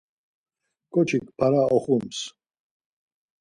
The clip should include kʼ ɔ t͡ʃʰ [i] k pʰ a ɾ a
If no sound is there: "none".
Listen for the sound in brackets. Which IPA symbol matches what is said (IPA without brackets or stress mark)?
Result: i